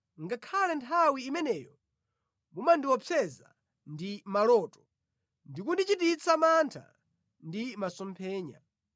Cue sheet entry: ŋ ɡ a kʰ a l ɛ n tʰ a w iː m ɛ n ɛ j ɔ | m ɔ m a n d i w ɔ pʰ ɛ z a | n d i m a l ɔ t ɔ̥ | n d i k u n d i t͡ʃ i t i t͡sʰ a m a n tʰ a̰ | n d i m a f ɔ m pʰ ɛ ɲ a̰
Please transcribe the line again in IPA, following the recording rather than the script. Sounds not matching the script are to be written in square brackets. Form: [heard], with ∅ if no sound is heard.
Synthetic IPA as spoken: ŋ ɡ a kʰ a l ɛ n tʰ a w iː m ɛ n ɛ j ɔ | m [u] m a n d i w ɔ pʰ ɛ z a | n d i m a l ɔ t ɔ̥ | n d i k u n d i t͡ʃ i t i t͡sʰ a m a n tʰ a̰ | n d i m a [s] ɔ m pʰ [ɛː] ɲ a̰